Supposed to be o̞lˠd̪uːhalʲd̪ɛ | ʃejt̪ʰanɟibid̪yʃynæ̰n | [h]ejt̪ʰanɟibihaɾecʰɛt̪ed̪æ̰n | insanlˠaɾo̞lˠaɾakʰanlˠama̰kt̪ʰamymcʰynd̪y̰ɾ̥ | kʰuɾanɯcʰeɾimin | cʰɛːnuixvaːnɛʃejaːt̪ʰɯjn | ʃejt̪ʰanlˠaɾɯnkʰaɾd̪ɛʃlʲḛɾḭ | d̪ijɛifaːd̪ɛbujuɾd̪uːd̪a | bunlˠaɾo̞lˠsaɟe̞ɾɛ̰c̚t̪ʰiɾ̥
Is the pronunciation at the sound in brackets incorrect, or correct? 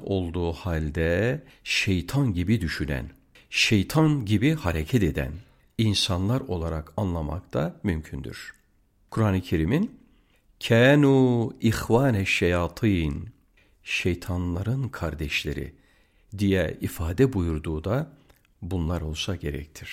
incorrect